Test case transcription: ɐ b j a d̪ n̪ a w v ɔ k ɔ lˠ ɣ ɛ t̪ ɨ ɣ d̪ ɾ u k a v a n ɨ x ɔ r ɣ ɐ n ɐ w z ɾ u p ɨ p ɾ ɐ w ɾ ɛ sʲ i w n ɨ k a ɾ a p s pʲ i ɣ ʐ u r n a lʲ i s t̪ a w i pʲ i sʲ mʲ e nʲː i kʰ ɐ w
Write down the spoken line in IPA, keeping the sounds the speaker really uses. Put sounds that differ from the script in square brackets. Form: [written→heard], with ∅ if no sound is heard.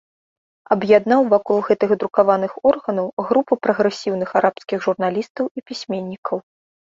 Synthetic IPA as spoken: ɐ b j a d̪ n̪ a w v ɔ k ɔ lˠ ɣ ɛ t̪ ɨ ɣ d̪ ɾ u k a v a n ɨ x ɔ r ɣ ɐ n ɐ w [z→ɣ] ɾ u p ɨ p ɾ ɐ [w→ɣ] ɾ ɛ sʲ i w n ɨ [k→x] a ɾ a p s [pʲ→kʲ] i ɣ ʐ u r n a lʲ i s t̪ [a→ɐ] w i pʲ i sʲ mʲ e nʲː i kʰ ɐ w